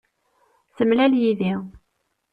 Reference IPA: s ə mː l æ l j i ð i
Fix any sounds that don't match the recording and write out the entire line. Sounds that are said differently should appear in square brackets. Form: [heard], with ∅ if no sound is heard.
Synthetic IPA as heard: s ə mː l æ l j i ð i